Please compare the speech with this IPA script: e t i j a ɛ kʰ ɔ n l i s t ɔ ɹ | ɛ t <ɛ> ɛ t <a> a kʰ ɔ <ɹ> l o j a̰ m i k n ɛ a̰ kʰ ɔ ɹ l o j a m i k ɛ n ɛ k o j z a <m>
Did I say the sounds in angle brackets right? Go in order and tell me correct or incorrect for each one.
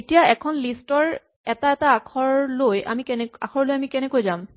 incorrect: a, correct, correct, correct

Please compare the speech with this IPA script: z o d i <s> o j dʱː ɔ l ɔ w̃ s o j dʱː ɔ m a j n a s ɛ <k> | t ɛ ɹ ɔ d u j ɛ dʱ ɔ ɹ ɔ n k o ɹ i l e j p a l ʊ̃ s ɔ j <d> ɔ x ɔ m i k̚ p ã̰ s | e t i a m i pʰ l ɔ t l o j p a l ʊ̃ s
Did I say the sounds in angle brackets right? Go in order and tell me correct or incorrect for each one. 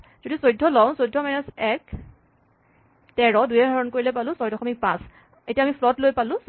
correct, correct, correct

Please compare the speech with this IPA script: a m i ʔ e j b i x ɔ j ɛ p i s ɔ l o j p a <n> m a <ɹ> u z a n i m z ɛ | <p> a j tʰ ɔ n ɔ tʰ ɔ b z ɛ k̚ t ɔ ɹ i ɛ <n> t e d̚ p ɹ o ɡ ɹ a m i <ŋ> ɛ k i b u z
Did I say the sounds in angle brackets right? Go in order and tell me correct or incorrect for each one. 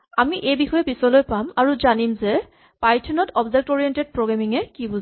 incorrect: none, correct, correct, correct, correct

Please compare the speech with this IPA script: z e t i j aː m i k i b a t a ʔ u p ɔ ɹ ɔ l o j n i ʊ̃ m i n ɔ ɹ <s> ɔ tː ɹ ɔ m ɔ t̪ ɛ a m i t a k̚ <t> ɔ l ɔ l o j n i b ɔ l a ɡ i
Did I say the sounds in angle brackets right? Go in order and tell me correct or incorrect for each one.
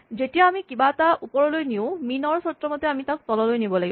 correct, correct

